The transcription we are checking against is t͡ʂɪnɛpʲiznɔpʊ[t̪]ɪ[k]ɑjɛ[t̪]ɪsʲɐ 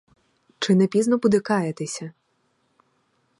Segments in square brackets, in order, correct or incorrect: incorrect: d̪, correct, correct

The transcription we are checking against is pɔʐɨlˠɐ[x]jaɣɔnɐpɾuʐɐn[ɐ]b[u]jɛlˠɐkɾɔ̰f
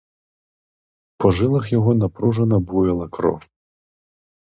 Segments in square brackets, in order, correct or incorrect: correct, correct, correct

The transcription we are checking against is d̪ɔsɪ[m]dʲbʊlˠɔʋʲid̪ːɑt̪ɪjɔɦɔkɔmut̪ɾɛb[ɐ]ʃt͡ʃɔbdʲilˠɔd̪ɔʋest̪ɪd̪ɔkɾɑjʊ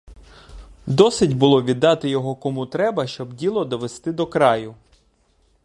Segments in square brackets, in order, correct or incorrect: incorrect: none, correct

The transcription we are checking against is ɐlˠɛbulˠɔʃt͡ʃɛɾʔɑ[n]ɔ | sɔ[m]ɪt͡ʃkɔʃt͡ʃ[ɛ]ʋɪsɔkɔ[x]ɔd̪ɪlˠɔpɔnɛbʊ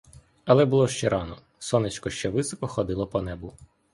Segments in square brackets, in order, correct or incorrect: correct, incorrect: n, correct, correct

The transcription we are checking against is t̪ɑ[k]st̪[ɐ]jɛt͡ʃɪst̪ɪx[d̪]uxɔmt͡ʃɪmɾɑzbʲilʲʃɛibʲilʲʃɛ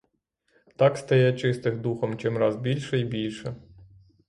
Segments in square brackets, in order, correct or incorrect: correct, correct, correct

